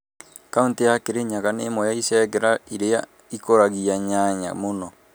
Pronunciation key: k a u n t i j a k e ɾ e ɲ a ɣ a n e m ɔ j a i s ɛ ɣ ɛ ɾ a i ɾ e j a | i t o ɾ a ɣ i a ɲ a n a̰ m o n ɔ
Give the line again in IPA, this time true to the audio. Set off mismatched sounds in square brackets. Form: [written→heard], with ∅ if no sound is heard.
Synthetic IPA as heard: k a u n t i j a k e ɾ e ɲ a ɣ a n e m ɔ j a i s ɛ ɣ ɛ ɾ a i ɾ e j a | i [t→k] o ɾ a ɣ i a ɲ a [n→ɲ] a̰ m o n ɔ